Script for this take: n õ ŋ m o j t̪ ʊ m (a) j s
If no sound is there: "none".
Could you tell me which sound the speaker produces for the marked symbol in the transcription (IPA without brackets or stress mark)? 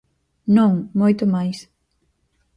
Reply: a